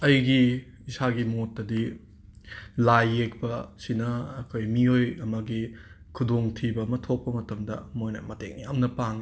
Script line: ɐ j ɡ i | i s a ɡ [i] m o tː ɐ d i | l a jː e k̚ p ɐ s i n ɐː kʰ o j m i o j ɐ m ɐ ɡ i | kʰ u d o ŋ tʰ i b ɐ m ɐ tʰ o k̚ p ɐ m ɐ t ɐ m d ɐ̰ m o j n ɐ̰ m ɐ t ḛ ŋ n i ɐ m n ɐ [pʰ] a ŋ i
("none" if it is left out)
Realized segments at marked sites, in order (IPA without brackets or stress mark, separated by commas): i, p